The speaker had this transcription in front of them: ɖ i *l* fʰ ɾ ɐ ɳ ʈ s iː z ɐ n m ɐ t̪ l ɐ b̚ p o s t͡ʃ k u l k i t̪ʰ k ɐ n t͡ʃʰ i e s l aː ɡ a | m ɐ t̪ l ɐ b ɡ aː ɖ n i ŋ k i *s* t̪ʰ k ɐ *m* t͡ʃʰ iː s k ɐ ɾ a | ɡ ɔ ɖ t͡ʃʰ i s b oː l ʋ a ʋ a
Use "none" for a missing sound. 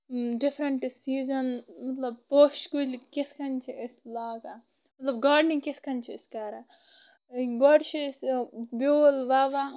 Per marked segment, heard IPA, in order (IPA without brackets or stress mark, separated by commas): none, none, n